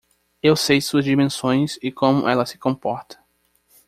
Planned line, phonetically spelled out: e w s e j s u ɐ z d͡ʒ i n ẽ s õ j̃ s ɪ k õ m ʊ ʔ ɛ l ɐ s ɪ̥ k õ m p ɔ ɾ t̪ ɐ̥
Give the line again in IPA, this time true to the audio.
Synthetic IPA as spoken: e w s e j s u ɐ z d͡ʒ i m ẽ s õ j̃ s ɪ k õ m ʊ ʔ ɛ l ɐ s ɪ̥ k õ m p ɔ ɾ t̪ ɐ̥